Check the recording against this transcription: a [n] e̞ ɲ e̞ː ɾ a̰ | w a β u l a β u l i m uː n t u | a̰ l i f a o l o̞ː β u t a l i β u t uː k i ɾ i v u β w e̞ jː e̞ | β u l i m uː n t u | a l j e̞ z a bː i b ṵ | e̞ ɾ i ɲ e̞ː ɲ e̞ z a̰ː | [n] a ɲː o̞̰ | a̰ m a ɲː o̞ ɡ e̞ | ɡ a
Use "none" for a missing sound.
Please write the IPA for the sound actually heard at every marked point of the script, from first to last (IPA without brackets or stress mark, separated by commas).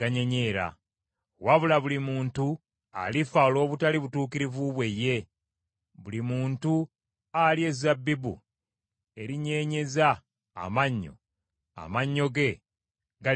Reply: ɲ, m